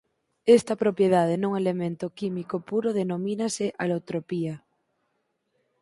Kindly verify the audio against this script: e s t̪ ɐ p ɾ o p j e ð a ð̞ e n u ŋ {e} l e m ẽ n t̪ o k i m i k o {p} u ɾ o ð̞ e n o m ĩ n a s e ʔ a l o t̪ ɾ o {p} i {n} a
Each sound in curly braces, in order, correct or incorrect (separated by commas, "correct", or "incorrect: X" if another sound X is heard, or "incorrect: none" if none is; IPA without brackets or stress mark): correct, correct, correct, incorrect: none